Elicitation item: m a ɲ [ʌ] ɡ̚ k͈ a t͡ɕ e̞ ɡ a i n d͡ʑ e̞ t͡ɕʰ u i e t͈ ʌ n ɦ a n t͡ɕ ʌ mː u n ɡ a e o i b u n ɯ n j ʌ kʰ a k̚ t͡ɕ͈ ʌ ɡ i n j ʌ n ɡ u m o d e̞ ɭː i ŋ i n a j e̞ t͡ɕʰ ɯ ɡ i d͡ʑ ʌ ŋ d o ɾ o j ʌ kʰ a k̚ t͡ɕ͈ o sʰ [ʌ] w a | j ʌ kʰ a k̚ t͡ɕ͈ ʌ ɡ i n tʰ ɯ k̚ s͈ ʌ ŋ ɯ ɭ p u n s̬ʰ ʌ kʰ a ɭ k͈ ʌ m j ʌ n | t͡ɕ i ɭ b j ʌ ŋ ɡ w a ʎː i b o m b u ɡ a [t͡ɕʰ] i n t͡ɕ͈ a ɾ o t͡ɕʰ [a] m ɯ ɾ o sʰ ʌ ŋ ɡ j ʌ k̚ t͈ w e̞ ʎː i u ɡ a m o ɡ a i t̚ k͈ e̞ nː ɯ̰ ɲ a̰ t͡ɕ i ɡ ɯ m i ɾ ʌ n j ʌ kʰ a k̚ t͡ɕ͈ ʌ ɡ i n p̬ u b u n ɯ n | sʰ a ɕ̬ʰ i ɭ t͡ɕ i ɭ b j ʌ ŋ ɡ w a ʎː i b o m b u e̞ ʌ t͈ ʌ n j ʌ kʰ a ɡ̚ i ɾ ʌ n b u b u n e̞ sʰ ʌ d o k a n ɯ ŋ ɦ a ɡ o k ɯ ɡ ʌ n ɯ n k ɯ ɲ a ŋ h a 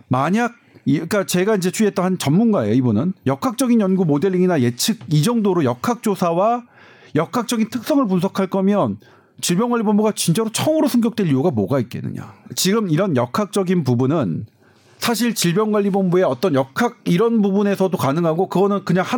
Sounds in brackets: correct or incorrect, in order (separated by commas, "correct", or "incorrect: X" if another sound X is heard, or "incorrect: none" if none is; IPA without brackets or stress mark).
incorrect: a, incorrect: a, incorrect: t͡ɕ, incorrect: ʌ